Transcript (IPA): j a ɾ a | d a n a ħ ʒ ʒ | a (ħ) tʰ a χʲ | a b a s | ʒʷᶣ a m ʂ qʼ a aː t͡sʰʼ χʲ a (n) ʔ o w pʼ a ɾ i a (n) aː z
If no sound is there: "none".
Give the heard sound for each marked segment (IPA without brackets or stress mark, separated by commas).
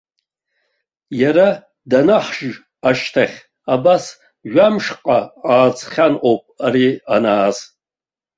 ʃ, n, n